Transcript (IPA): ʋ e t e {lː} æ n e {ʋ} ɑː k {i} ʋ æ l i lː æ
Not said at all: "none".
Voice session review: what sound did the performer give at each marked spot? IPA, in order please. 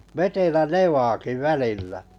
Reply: l, ʋ, i

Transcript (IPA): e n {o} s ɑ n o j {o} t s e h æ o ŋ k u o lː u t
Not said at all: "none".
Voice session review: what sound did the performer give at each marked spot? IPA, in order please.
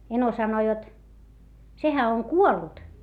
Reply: o, o

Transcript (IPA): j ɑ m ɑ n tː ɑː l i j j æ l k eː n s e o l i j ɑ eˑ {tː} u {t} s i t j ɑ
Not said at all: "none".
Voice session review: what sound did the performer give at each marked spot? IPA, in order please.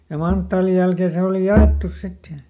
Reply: tː, s

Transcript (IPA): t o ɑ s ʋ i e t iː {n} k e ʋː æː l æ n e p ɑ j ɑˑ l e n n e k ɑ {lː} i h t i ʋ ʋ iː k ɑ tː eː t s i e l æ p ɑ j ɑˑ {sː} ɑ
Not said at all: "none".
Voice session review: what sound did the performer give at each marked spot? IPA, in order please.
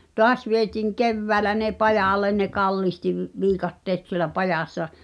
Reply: ŋ, lː, sː

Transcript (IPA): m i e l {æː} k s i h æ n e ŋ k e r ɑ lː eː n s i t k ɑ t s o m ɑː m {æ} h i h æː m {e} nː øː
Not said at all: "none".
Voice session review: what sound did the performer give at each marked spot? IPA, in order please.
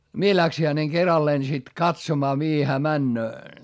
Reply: æ, i, æ

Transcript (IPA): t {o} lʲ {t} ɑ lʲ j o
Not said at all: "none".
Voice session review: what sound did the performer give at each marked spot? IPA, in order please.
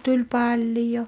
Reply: u, p

